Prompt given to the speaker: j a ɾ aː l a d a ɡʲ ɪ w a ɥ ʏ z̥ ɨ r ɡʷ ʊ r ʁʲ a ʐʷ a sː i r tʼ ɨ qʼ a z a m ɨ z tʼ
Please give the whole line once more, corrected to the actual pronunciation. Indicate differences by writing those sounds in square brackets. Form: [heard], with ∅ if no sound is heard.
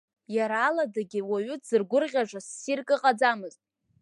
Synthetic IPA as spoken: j a ɾ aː l a d a ɡʲ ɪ w a ɥ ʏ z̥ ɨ r ɡʷ ʊ r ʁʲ a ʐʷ a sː i r [kʼ] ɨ qʼ a [d͡z] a m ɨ z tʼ